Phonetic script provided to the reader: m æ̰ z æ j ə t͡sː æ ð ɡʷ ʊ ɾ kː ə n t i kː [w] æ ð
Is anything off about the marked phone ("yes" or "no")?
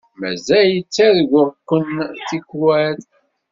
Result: no